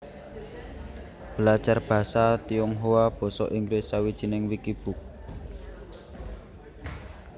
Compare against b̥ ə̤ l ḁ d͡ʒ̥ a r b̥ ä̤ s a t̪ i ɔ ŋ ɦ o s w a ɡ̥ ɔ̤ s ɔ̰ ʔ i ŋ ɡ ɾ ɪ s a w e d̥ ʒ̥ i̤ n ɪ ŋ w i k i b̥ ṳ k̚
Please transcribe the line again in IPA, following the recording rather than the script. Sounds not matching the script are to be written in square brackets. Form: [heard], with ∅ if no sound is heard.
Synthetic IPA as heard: b̥ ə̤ l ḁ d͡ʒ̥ a r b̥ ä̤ s a t̪ i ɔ ŋ ɦ o [∅] w a [b̥] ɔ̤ s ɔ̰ ʔ i ŋ ɡ ɾ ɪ s a w [i] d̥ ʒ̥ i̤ n ɪ ŋ w i k i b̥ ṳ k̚